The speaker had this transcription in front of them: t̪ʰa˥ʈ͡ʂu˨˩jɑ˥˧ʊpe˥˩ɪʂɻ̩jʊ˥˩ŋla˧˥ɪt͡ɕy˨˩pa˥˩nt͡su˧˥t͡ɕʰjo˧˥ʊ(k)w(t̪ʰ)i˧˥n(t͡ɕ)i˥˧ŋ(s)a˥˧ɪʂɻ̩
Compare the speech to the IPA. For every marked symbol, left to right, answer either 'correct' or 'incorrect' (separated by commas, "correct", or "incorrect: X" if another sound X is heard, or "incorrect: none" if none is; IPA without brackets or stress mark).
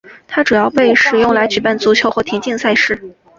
incorrect: x, correct, correct, correct